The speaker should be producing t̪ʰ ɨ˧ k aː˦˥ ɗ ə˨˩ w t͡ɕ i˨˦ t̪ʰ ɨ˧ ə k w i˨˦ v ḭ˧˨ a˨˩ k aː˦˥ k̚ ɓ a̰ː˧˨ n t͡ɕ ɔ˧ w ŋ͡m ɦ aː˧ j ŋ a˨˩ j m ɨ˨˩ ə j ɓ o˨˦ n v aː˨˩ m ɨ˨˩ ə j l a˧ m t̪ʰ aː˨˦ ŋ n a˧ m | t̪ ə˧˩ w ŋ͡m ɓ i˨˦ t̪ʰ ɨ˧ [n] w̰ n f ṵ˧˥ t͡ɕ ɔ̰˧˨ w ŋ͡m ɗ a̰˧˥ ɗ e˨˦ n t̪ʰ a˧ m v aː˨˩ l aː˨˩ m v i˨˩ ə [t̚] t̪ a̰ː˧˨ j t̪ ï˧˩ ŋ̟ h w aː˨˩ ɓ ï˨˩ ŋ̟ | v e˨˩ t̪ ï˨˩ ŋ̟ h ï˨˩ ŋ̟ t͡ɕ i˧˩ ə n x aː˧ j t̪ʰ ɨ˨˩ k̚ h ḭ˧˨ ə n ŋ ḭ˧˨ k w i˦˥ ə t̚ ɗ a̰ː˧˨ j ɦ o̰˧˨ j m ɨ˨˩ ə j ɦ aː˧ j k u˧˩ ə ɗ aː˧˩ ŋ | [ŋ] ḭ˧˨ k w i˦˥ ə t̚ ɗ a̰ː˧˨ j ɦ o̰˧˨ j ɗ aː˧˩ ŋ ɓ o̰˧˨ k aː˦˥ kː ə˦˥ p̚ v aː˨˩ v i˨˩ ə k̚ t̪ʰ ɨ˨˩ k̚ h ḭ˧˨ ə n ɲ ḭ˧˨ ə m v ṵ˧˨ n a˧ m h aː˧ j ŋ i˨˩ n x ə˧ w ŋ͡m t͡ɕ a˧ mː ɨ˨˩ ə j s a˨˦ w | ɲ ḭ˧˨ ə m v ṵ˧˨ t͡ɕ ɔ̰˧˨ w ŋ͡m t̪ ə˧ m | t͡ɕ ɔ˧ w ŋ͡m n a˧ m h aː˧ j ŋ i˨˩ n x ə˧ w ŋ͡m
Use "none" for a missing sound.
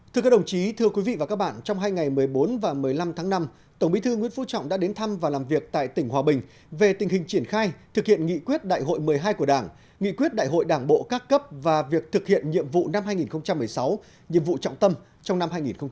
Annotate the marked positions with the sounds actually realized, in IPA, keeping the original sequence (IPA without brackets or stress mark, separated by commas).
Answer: ŋ, k̚, ŋ